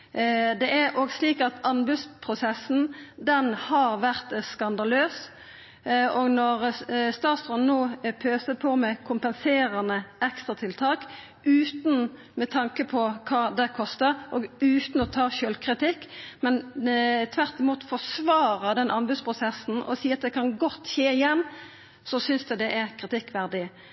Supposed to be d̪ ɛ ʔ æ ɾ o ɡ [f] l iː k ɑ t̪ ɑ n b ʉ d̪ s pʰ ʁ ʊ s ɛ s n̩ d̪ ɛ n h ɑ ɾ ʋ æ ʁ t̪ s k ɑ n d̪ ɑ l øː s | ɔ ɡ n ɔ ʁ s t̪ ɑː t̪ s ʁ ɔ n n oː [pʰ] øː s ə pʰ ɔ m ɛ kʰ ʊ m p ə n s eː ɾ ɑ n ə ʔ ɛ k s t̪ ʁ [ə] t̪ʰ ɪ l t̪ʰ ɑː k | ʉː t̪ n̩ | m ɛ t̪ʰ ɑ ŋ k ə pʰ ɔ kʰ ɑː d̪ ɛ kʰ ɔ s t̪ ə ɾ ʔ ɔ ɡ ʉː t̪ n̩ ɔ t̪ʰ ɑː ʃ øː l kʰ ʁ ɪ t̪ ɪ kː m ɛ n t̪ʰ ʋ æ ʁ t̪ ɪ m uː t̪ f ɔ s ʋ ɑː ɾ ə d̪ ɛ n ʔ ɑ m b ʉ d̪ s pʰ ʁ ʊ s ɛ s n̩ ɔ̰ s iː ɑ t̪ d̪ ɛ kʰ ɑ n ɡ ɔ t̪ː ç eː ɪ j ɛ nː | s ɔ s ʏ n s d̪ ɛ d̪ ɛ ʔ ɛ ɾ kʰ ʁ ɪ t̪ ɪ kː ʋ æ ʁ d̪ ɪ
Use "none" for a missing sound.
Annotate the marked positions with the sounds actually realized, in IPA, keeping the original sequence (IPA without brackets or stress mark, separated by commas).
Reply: s, pʰ, ɑ